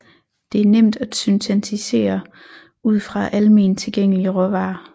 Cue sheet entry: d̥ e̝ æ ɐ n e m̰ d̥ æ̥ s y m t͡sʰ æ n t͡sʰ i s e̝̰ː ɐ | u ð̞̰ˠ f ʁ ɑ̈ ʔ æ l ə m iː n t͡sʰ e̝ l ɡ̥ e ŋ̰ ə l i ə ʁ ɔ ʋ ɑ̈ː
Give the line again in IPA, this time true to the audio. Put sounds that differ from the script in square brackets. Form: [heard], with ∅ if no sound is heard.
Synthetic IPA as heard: d̥ e̝ æ ɐ n e m̰ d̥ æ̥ s y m t͡sʰ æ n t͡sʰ i s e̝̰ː ɐ | u ð̞̰ˠ f ʁ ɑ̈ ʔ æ l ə m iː n t͡sʰ e̝ l ɡ̥ e ŋ̰ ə l i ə ʁ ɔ ʋ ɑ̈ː